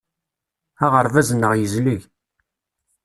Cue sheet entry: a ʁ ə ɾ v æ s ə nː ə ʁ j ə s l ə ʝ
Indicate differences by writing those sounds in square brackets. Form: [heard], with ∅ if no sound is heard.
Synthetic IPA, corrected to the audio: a ʁ ə ɾ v æ [z] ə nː ə ʁ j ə [z] l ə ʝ